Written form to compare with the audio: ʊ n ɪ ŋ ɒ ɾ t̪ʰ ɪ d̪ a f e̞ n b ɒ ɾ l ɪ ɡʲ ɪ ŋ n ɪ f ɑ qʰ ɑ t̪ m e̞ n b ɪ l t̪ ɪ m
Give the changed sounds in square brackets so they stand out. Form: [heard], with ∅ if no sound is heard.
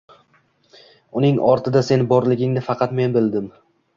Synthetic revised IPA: ʊ n ɪ ŋ ɒ ɾ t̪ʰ ɪ d̪ a [s] e̞ n b ɒ ɾ l ɪ ɡʲ ɪ ŋ n ɪ f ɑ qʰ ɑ t̪ m e̞ n b ɪ l [d̪] ɪ m